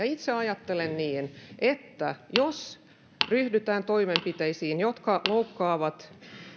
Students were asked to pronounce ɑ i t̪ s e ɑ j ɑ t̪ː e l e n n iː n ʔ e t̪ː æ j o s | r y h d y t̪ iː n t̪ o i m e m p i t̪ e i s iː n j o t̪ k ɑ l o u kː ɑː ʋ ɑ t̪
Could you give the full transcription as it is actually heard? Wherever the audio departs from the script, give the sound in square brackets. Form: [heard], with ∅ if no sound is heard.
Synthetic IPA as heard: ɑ i t̪ s e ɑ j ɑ t̪ː e l e n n iː n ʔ e t̪ː æ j o s | r y h d y t̪ [æː] n t̪ o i m e m p i t̪ e i s iː n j o t̪ k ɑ l o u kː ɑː ʋ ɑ t̪